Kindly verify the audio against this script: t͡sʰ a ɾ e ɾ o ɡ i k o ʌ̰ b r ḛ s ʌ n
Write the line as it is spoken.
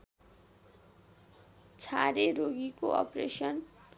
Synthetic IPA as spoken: t͡sʰ a ɾ e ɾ o ɡ i k o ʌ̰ p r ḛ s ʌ n